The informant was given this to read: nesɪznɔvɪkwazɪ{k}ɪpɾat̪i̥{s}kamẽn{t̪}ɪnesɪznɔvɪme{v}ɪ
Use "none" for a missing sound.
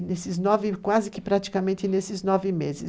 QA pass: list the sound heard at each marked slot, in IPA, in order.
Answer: k, none, t̪, z

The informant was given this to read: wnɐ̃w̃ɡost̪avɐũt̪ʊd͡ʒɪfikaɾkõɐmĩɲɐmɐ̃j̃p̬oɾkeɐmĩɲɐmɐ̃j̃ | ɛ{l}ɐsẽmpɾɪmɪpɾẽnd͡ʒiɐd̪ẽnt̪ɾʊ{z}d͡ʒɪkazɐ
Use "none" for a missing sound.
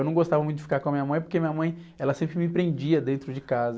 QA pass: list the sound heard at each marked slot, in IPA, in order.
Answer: l, none

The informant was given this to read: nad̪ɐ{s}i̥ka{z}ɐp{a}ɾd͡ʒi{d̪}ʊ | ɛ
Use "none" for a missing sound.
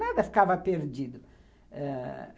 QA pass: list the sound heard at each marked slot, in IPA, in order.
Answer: f, v, e, d̪

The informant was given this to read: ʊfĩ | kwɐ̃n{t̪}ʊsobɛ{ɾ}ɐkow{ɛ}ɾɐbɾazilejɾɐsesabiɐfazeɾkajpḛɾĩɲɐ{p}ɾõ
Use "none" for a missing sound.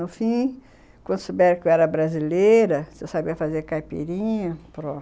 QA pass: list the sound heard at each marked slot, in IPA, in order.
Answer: d̪, ɾ, ɛ, p

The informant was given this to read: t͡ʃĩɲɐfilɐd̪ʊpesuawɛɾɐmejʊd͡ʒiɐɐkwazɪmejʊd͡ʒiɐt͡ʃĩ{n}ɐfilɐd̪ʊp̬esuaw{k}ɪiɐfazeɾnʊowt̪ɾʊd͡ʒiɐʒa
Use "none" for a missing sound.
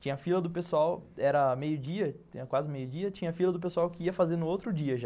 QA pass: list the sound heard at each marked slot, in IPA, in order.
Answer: ɲ, k

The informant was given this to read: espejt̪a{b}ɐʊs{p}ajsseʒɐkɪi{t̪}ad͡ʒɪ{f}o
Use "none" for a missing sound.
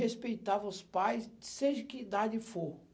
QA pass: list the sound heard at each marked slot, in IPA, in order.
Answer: v, p, d̪, f

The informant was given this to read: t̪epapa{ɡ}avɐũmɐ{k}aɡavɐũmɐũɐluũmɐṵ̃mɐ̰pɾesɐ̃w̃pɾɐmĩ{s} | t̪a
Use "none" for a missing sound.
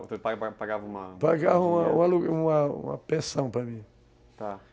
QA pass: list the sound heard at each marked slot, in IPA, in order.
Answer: ɡ, p, none

